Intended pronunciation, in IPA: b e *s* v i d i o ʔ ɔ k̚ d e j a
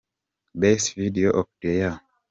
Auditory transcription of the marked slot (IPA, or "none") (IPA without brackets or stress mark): s